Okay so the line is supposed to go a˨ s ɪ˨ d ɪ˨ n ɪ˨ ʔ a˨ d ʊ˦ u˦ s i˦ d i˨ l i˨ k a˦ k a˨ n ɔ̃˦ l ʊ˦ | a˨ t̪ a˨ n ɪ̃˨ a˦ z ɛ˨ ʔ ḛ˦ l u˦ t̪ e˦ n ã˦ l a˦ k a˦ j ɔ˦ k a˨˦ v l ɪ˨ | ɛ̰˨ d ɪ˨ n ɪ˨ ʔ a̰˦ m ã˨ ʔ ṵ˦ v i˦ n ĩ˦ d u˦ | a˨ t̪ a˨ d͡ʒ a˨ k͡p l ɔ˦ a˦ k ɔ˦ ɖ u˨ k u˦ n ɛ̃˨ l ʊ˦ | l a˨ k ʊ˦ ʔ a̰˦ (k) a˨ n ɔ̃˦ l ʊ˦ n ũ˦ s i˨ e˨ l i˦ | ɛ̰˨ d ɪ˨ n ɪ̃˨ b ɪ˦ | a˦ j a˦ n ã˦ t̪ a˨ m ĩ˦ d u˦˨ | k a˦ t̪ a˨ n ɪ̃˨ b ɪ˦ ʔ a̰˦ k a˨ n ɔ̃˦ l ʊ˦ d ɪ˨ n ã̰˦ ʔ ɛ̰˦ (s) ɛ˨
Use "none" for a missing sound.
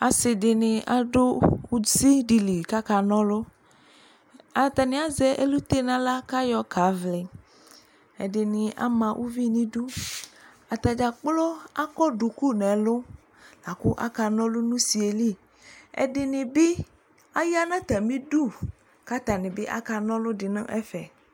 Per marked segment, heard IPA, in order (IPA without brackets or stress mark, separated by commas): k, f